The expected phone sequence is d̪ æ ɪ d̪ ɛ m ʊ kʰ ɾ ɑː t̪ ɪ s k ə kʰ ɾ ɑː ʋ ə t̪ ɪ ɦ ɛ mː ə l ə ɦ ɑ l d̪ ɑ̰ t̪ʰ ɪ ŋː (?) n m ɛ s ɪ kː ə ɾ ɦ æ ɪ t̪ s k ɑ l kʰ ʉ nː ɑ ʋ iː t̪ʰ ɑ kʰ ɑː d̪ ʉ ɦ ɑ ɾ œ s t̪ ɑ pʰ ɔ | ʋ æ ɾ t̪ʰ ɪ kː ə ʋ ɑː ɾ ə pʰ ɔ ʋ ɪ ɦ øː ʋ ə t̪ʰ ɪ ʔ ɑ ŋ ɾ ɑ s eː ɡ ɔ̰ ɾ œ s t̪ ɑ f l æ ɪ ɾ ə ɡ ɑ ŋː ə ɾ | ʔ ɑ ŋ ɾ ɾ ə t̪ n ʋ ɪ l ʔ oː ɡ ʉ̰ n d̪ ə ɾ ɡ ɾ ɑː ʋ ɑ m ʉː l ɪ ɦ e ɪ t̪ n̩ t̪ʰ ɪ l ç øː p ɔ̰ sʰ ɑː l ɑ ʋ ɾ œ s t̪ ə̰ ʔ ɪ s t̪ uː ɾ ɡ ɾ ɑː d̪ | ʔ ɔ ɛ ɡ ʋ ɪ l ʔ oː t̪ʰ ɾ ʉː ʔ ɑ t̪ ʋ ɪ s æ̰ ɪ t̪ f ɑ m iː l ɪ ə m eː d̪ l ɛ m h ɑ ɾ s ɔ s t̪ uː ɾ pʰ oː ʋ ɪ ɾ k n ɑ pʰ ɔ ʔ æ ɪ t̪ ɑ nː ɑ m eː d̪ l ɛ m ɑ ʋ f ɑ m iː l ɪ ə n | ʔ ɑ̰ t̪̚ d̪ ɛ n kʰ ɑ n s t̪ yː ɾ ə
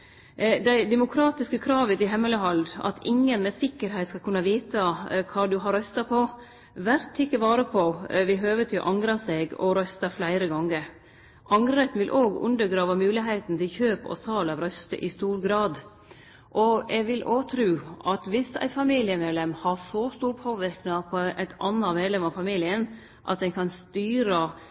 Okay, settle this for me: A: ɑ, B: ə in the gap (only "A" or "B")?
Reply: B